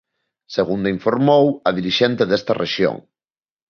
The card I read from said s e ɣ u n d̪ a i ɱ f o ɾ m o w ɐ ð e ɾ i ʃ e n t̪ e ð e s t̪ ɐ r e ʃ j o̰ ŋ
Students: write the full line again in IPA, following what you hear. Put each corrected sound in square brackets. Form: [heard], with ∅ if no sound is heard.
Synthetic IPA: s e ɣ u n d̪ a i ɱ f o ɾ m o w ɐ ð [i] ɾ i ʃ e n t̪ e ð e s t̪ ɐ r e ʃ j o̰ ŋ